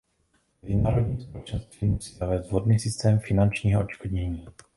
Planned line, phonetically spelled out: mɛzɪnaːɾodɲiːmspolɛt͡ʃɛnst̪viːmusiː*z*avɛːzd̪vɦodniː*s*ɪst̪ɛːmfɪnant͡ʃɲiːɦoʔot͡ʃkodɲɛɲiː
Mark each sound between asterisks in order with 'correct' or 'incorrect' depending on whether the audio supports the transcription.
correct, correct

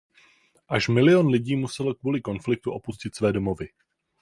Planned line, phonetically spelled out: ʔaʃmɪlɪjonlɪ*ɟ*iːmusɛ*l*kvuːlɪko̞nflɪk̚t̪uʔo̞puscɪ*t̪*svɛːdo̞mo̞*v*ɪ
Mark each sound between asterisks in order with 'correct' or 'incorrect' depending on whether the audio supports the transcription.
correct, correct, correct, correct

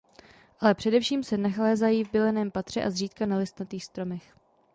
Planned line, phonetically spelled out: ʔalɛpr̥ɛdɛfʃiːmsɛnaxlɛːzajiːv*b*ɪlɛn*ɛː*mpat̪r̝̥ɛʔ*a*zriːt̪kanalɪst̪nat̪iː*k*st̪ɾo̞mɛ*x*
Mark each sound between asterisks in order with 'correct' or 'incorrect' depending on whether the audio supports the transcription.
correct, correct, correct, incorrect: x, correct

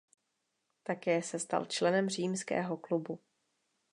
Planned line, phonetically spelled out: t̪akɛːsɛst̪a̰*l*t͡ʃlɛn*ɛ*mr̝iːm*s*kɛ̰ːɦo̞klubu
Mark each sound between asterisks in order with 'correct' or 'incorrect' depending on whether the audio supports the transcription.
correct, correct, correct

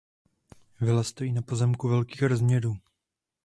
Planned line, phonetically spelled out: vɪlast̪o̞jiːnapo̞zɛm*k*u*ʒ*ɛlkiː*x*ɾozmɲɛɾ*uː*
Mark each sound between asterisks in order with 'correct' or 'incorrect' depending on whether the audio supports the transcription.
correct, incorrect: v, correct, correct

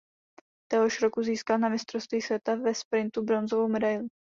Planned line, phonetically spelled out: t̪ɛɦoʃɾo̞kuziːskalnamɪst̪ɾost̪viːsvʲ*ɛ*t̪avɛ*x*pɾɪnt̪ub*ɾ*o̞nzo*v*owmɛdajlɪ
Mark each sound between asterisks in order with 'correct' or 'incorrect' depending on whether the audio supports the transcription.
correct, incorrect: s, correct, correct

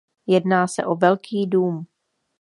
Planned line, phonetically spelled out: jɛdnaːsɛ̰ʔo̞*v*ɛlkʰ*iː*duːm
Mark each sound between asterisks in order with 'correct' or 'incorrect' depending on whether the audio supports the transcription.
correct, correct

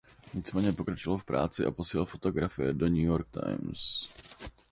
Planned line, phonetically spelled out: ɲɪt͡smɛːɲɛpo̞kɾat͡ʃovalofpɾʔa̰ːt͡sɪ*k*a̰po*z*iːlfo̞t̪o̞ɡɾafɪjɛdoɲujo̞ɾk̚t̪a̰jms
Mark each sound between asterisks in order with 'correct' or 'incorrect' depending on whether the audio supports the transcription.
incorrect: ʔ, incorrect: s

